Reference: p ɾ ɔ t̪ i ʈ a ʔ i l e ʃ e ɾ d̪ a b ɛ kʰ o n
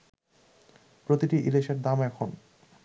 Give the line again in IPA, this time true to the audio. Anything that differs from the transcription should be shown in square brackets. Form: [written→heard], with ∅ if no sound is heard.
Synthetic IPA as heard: p ɾ [ɔ→o] t̪ i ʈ [a→i] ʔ i l e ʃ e ɾ d̪ a [b→m] ɛ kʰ o n